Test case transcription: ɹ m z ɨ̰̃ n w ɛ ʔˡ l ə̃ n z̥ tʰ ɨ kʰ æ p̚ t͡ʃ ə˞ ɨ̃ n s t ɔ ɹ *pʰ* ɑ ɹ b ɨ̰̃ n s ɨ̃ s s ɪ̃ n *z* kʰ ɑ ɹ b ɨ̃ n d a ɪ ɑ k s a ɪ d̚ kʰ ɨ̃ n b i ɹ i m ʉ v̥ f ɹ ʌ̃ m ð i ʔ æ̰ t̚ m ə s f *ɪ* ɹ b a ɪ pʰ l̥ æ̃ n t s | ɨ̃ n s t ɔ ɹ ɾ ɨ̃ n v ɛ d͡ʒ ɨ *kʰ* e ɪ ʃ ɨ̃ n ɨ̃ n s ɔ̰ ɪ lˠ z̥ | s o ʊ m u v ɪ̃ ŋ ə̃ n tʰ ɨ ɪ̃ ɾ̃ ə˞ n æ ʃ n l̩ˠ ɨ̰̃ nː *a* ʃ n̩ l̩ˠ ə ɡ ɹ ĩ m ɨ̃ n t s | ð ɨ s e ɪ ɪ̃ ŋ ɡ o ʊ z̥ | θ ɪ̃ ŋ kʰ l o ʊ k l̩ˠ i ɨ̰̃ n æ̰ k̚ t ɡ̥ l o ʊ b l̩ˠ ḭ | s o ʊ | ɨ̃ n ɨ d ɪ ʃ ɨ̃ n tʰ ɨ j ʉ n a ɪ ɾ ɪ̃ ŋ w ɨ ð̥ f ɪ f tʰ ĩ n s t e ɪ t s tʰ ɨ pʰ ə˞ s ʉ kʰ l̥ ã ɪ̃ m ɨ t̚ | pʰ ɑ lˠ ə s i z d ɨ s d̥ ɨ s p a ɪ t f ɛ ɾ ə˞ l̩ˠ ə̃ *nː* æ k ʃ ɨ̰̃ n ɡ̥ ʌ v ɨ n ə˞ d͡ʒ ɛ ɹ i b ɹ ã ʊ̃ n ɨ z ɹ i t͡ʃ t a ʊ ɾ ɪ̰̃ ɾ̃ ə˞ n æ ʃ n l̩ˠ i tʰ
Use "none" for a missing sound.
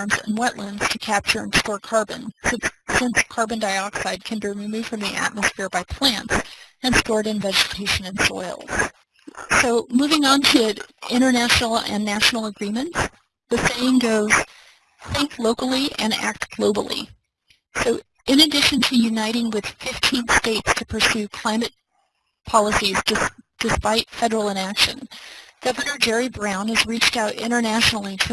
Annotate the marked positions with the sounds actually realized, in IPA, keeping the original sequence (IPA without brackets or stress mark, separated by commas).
kʰ, s, ɪ, tʰ, æ, n